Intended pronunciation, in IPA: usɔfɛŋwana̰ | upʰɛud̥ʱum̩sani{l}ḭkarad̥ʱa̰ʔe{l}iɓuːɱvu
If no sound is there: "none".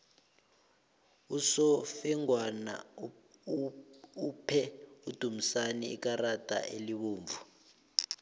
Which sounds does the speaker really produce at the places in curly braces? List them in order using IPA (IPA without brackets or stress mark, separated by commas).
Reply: none, l